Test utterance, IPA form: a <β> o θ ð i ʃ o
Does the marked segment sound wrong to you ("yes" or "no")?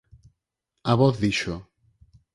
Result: no